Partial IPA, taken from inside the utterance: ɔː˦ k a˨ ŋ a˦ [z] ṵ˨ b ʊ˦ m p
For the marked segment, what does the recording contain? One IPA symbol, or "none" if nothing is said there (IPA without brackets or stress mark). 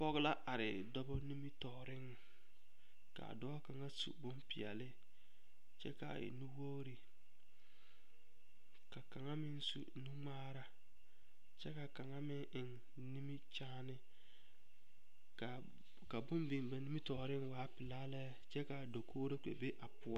s